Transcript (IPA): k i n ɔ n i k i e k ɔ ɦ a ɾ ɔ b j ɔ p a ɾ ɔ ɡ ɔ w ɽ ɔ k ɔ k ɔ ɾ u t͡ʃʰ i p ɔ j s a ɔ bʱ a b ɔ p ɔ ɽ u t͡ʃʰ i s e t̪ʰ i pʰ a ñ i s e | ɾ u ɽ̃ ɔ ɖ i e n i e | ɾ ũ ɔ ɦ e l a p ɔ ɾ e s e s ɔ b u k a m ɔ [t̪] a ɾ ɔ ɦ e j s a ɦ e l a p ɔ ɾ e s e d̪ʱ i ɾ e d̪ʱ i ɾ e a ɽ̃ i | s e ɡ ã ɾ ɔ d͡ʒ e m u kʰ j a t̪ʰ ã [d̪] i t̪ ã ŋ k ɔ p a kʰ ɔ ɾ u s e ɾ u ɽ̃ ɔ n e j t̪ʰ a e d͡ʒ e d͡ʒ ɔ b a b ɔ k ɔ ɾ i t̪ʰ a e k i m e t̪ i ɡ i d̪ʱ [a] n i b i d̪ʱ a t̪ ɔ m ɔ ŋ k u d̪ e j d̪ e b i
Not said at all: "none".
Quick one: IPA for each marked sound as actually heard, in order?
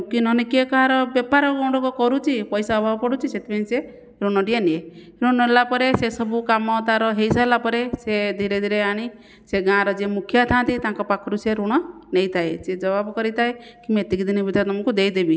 t̪, t̪, i

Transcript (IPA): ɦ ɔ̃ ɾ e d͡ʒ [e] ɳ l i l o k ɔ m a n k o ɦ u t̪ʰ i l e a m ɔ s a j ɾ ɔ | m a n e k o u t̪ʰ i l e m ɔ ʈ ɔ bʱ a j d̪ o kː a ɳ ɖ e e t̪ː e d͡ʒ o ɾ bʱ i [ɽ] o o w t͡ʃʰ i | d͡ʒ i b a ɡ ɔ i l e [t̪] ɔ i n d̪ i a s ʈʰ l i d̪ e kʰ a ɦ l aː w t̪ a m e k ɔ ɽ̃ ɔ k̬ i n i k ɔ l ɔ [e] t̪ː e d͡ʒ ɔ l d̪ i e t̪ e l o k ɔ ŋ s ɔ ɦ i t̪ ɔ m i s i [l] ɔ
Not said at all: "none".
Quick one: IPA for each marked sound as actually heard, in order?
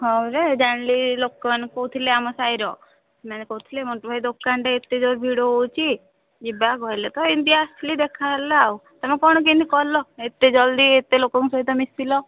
a, ɽ, t̪, e, l

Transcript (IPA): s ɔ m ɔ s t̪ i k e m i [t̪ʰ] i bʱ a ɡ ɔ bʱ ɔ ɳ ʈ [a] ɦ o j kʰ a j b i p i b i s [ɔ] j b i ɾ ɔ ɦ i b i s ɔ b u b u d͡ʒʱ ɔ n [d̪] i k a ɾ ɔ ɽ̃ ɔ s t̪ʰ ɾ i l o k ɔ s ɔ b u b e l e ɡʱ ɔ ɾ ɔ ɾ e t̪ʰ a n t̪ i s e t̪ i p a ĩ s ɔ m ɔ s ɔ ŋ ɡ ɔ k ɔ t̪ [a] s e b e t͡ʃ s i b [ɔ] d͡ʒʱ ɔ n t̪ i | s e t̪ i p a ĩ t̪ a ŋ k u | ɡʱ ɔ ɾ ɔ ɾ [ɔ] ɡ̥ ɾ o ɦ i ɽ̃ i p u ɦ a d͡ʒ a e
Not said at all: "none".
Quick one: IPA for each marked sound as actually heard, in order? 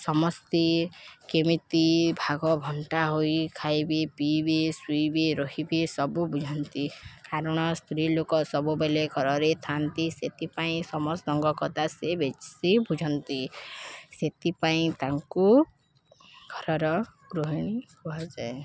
t̪, a, u, t̪, a, u, ɔ

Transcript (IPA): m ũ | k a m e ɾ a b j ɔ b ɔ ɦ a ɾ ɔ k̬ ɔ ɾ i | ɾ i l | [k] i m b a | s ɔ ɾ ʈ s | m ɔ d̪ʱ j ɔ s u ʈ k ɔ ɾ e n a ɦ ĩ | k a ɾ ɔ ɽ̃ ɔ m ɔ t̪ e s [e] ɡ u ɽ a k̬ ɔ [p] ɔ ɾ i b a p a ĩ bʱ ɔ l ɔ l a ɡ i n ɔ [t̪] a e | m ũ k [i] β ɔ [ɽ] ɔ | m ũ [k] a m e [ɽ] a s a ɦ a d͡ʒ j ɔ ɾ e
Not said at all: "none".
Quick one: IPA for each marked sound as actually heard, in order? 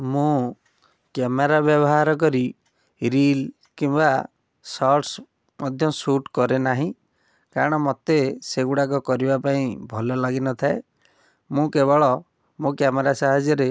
k, e, k, t̪ʰ, e, ɭ, k, ɾ

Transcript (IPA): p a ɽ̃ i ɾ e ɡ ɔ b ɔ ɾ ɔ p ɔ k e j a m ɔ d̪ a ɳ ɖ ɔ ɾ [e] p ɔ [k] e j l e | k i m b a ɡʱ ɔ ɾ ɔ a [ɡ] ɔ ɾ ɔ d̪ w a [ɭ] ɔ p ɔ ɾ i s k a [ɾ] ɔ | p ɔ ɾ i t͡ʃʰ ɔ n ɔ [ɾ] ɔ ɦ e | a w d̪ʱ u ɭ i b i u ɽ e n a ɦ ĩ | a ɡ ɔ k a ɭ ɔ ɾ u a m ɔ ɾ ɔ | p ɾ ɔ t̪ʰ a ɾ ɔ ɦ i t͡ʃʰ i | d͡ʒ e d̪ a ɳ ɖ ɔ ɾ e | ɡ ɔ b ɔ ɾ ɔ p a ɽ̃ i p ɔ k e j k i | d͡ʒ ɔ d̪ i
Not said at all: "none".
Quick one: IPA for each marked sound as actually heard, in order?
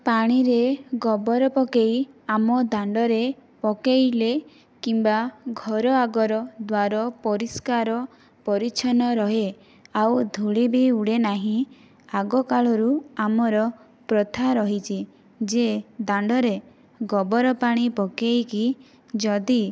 e, k, ɡ, ɾ, ɾ, ɾ

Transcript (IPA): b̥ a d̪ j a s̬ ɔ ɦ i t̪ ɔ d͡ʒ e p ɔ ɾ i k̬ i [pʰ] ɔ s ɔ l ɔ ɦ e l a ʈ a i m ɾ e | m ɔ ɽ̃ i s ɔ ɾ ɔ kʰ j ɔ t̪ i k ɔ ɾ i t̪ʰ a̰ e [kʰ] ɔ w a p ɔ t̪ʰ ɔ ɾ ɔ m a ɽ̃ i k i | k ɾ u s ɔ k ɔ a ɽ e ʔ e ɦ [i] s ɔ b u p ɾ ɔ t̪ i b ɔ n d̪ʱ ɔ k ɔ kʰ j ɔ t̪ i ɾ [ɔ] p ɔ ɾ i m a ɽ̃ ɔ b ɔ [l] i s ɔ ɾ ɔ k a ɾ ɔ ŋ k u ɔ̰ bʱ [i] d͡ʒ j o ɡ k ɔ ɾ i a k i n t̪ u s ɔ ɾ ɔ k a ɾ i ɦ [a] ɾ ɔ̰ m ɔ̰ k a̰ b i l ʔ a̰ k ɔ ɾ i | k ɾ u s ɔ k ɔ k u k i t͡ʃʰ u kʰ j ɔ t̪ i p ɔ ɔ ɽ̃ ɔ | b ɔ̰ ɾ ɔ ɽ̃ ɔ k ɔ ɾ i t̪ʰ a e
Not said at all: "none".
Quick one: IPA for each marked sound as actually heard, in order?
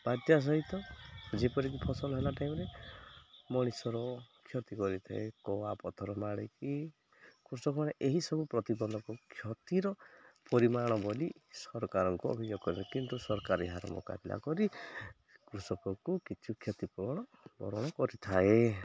pʰ, k, i, ɔ, l, i, a

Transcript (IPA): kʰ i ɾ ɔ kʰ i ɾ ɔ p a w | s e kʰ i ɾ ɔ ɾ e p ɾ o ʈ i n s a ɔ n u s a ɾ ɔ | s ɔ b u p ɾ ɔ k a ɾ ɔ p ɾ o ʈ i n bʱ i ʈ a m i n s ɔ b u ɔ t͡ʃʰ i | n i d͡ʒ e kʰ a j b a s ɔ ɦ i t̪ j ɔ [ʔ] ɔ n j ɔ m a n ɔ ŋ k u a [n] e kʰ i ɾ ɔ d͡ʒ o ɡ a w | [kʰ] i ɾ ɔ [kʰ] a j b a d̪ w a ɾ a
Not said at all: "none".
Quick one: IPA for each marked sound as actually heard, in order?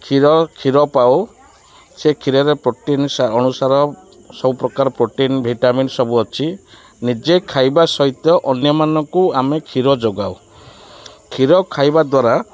ʔ, m, kʰ, kʰ

